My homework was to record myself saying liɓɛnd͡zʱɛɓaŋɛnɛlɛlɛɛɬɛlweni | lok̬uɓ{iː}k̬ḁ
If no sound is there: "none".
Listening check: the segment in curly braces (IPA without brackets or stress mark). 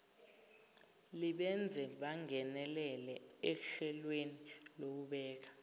ɛː